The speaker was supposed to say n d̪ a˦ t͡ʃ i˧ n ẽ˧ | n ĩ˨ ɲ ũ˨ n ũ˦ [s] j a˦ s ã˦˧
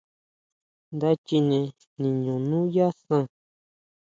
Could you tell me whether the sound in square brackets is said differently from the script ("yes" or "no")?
yes